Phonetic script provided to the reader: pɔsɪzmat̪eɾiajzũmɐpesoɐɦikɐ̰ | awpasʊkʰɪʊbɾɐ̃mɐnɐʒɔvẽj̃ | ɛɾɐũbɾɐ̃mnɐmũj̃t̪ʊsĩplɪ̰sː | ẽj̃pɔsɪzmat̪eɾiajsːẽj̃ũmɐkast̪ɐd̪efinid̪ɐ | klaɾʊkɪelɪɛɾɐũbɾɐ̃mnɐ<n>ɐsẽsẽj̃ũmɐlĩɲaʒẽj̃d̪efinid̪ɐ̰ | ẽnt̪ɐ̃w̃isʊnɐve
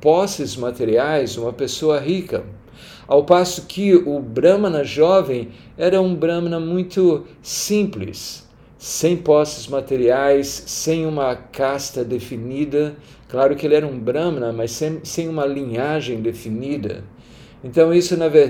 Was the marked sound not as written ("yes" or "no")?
yes